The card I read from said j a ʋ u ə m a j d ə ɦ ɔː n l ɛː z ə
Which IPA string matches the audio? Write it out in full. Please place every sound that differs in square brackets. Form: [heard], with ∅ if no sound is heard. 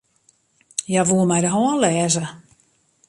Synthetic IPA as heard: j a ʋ u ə m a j d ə ɦ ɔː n l ɛː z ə